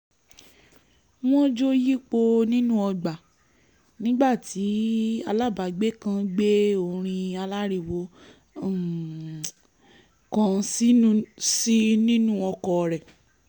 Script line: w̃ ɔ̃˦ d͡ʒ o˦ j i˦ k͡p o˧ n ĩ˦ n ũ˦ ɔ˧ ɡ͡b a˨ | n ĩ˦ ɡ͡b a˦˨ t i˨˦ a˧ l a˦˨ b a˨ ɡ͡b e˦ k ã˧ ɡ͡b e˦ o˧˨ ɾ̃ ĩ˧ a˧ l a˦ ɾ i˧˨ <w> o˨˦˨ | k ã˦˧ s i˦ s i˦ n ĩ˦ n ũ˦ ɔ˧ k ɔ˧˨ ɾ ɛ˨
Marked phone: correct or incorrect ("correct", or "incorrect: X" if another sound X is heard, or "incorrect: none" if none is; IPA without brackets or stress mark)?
correct